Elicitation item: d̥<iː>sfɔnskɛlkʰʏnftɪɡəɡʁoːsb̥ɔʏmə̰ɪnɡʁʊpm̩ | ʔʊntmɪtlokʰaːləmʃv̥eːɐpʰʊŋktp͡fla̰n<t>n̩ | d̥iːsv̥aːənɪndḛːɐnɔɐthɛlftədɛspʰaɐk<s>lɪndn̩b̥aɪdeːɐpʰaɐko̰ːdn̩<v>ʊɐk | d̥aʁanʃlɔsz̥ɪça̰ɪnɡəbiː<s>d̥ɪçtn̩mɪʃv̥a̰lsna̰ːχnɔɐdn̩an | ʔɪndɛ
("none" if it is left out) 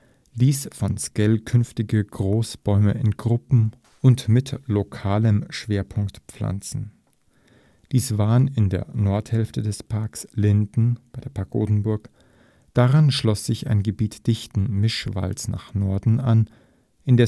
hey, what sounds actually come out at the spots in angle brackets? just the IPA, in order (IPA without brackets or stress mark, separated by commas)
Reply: iː, t͡s, s, b, t